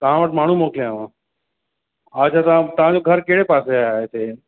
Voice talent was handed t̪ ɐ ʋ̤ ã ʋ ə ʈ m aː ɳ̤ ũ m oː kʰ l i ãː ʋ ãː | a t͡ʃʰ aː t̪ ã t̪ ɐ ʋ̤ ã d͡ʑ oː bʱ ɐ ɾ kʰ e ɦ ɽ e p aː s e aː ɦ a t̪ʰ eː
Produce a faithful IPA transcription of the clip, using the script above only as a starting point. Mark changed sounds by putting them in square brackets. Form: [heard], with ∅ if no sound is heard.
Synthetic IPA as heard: t̪ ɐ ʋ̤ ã ʋ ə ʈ m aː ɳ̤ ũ m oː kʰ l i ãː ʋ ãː | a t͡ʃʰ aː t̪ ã t̪ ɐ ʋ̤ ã d͡ʑ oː [ɡʱ] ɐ ɾ [k] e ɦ ɽ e p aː s e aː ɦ [e] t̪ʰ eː